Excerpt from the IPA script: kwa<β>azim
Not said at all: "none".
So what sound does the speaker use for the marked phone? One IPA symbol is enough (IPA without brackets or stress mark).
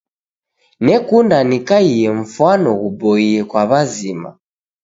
β